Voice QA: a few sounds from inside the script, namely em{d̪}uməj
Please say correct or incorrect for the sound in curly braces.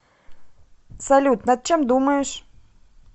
correct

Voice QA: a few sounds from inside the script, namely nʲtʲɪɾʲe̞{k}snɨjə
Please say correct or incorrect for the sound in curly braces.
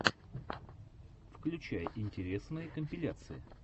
incorrect: none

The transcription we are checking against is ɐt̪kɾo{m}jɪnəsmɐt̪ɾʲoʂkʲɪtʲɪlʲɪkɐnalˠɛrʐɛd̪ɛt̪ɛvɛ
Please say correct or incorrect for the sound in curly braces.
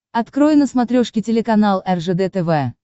incorrect: none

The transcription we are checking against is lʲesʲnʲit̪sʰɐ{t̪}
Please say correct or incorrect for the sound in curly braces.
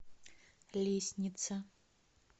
incorrect: none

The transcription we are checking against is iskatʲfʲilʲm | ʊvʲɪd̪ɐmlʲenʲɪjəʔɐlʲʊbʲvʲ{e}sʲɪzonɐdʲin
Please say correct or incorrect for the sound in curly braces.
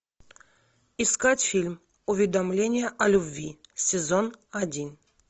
incorrect: i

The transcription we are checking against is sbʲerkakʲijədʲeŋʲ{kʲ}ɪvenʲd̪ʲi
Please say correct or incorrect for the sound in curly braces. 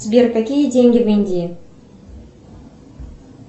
incorrect: ɡʲ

